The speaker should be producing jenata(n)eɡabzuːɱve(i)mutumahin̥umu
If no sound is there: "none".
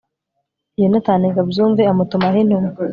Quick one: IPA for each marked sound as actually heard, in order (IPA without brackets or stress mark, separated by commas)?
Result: n, a